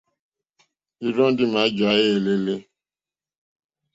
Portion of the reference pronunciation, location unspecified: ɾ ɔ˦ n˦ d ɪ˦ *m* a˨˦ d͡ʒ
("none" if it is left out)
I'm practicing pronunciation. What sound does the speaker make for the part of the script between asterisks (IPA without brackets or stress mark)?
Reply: m